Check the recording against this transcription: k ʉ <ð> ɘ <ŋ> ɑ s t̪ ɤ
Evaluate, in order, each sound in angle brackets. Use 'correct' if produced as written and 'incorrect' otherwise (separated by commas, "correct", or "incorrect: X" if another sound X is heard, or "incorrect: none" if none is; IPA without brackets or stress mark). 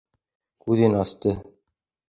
correct, incorrect: n